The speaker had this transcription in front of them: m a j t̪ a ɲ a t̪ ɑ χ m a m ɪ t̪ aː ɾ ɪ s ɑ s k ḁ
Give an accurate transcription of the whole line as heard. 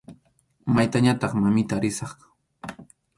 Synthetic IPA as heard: m a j t̪ a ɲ a t̪ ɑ χ m a m ɪ t̪ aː ɾ ɪ s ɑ χ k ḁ